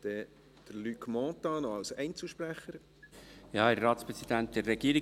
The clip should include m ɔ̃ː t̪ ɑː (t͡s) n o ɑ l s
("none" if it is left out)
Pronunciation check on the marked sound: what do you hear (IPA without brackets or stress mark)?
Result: none